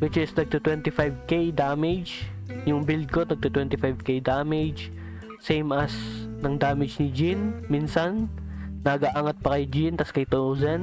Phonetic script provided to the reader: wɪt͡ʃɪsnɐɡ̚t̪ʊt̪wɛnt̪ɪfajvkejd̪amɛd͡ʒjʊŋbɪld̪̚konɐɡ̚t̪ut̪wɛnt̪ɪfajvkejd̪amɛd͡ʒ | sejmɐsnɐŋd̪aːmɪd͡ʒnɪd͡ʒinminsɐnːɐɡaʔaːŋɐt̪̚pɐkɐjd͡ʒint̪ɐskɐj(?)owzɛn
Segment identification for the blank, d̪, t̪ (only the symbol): t̪